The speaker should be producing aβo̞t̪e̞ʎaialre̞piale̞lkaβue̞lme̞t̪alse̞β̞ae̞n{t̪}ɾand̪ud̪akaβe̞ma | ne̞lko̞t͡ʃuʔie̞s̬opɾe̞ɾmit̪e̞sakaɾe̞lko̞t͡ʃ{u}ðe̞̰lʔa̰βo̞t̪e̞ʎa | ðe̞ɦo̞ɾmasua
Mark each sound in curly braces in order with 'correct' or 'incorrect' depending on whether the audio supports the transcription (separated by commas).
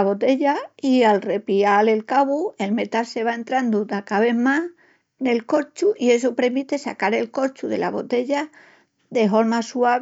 correct, correct